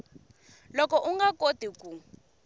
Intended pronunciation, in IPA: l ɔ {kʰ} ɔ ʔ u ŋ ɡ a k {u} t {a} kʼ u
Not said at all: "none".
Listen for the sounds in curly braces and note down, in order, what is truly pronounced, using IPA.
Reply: k, o, i

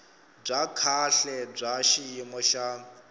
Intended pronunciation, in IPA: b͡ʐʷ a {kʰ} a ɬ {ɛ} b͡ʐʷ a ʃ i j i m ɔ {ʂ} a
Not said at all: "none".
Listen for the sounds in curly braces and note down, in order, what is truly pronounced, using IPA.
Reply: kʰ, ɛ, ʃ

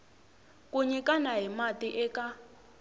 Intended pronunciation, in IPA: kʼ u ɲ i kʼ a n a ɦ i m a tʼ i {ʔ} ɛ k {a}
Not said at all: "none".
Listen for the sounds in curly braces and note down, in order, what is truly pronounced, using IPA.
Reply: ʔ, a

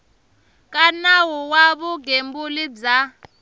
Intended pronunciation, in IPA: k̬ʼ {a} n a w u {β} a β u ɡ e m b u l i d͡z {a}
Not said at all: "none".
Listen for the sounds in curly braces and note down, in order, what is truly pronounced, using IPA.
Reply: a, w, a

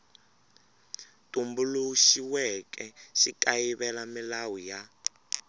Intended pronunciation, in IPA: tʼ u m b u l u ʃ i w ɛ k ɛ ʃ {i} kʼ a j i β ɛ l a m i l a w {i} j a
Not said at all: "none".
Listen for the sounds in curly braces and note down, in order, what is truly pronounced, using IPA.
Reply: i, i

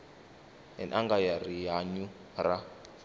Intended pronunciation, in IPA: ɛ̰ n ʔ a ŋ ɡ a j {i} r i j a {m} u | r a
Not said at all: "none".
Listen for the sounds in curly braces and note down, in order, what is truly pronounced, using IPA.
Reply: a, ɲ

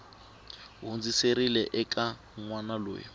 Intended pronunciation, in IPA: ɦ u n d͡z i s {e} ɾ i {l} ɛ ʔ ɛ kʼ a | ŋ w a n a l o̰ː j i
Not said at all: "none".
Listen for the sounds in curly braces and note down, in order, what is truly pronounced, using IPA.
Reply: e, l

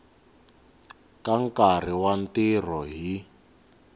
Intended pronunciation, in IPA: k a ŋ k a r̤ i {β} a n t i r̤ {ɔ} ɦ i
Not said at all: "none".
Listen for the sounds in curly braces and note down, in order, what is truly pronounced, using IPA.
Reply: w, ɔ

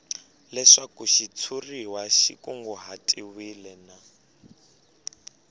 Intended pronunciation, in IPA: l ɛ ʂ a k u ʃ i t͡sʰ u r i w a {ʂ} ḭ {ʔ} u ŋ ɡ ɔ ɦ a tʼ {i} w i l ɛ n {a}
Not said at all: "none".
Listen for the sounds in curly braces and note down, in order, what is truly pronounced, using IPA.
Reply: ʃ, k, i, a

